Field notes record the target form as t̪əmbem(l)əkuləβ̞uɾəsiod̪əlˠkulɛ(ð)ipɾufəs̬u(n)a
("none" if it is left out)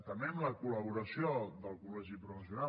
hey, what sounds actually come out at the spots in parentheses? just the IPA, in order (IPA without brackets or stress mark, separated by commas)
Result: l, ʒ, n